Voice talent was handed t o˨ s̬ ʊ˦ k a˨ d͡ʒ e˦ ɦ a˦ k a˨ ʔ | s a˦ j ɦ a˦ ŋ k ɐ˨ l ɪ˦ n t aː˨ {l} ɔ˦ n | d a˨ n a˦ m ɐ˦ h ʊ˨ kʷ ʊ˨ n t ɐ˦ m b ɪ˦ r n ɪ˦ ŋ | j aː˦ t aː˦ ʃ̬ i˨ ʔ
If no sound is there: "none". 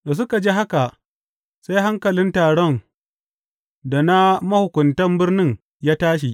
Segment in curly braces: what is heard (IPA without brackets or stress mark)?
ɽ